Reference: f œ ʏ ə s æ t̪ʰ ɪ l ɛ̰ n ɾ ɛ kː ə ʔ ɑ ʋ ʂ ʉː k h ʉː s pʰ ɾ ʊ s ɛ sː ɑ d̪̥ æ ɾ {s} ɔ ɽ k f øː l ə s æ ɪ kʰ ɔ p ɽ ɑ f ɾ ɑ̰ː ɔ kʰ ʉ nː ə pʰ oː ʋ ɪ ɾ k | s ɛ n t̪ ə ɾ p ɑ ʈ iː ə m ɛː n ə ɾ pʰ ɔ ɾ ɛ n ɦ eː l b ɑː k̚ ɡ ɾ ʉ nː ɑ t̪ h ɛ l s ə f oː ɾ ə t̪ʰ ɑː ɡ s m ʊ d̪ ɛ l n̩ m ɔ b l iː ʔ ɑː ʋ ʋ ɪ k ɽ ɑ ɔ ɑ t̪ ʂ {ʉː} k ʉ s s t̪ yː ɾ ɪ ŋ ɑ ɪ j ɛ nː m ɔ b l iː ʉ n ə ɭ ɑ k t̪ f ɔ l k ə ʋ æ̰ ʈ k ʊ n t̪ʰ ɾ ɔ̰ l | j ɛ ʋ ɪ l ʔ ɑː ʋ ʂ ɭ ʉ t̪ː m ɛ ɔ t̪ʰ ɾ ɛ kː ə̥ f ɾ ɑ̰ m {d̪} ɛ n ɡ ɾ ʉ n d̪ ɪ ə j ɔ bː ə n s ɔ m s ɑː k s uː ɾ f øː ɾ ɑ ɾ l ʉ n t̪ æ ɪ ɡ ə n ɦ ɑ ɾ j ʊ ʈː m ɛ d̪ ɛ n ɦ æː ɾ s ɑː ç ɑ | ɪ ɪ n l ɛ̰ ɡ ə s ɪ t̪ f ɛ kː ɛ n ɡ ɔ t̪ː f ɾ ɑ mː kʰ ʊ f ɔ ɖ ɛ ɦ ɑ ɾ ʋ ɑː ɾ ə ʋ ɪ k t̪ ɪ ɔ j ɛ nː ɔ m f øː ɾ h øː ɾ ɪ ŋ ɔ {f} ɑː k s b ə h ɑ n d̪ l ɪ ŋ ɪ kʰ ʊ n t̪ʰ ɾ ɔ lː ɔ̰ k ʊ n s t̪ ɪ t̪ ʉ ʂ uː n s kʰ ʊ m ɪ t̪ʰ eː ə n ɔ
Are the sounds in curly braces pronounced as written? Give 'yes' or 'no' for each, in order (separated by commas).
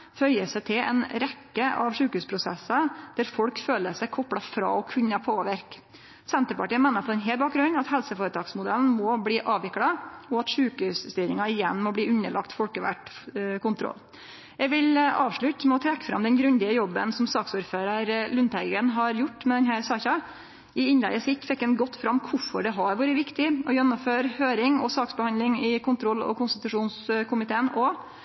no, yes, yes, no